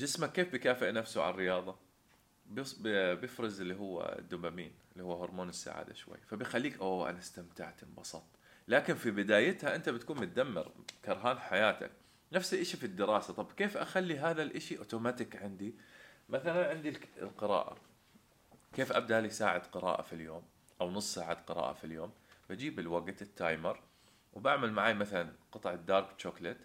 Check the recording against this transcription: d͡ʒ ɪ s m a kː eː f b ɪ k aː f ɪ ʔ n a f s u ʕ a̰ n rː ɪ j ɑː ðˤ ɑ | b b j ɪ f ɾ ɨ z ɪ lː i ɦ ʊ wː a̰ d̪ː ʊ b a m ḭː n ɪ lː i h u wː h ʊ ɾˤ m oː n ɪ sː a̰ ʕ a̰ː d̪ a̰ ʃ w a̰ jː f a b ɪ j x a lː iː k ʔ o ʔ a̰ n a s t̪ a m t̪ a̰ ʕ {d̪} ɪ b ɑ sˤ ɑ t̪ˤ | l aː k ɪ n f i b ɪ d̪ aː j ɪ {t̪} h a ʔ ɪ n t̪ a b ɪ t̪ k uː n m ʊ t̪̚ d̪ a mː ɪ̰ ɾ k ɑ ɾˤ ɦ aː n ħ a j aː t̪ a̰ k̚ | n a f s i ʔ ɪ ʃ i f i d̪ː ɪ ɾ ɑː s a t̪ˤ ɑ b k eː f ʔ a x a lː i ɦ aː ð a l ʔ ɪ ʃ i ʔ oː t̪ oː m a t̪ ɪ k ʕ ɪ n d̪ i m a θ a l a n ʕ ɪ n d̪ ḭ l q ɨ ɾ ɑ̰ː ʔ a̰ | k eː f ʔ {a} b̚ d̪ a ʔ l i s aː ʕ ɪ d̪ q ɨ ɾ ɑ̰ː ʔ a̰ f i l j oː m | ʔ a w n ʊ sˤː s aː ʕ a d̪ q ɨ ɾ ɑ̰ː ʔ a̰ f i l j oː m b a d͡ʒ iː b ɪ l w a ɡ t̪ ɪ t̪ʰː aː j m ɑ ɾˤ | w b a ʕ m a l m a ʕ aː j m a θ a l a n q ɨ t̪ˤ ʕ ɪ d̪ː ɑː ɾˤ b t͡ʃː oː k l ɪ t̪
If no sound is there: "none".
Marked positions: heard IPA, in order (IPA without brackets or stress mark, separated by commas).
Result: t̪, t̪, a